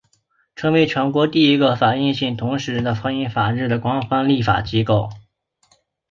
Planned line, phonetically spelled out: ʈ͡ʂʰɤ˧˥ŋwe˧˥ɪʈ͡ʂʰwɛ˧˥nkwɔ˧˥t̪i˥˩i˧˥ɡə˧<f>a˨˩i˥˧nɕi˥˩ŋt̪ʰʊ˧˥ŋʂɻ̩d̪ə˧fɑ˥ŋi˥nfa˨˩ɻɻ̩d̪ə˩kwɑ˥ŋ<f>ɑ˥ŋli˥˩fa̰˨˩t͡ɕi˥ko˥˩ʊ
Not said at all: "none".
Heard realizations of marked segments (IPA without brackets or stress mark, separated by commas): f, f